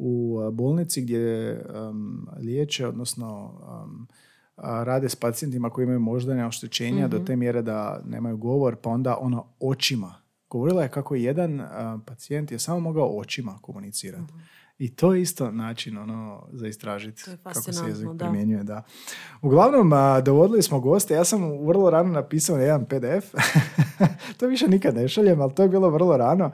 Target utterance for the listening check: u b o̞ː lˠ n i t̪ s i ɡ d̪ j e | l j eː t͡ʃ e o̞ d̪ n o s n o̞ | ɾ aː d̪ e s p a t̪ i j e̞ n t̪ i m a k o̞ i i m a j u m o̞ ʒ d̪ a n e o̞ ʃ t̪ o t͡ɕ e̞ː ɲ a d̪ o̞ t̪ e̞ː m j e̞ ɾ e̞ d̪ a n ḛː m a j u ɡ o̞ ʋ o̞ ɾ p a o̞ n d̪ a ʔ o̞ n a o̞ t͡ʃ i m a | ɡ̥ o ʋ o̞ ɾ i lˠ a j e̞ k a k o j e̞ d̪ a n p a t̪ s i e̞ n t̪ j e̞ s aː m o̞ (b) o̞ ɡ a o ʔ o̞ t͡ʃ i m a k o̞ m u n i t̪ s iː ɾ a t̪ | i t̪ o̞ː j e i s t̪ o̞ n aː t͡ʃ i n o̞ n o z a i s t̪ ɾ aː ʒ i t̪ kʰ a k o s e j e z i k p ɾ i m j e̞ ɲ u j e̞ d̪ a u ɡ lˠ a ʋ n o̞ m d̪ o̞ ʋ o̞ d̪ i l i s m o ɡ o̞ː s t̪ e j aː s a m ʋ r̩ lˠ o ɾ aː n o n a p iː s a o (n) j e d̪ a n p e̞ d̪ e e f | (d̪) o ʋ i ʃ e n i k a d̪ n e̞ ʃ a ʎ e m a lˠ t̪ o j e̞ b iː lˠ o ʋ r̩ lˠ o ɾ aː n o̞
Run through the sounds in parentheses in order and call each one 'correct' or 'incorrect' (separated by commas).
incorrect, correct, incorrect